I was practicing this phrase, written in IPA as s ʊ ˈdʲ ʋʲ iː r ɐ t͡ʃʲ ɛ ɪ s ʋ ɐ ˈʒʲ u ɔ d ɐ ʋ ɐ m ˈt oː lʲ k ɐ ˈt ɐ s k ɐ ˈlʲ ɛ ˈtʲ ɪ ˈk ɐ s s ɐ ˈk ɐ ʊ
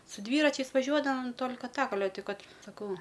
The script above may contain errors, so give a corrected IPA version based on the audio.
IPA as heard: s ʊ ˈdʲ ʋʲ iː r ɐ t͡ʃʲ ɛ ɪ s ʋ ɐ ˈʒʲ u ɔ d ɐ ʋ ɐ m ˈt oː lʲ k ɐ ˈt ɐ k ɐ ˈlʲ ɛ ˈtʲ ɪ ˈk ɐ t s ɐ ˈk ɐ ʊ